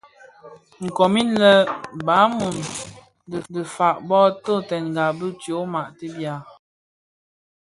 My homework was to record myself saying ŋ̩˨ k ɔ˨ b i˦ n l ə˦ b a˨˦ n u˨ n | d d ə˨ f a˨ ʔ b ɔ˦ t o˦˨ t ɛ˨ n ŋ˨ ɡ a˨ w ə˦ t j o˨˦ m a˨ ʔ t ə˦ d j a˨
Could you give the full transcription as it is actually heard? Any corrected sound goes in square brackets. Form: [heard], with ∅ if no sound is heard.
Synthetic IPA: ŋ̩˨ k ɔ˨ [m] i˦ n l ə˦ b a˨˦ [m] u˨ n | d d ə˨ f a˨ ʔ b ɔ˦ t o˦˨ t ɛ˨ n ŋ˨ ɡ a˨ [b] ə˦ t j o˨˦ m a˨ ʔ t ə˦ [b] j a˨